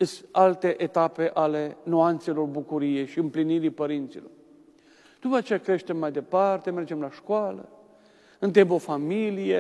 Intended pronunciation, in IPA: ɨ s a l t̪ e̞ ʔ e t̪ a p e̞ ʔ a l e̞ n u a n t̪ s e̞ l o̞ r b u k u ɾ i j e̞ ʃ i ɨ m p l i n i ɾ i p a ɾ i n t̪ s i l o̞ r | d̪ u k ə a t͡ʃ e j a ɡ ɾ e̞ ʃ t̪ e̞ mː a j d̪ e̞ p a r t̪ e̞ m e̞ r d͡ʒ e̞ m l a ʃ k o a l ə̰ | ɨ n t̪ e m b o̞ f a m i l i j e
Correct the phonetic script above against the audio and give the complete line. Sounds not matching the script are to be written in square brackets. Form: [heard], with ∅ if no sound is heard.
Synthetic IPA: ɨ s a l t̪ e̞ ʔ e t̪ a p e̞ ʔ a l e̞ n u a n t̪ s e̞ l o̞ r b u k u ɾ i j e̞ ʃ i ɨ m p l i n i ɾ i p [ə] ɾ i n t̪ s i l o̞ r | d̪ u [p] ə a t͡ʃ e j a [k] ɾ e̞ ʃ t̪ e̞ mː a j d̪ e̞ p a r t̪ e̞ m e̞ r d͡ʒ e̞ m l a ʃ k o a l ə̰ | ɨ n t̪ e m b o̞ f a m i l i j e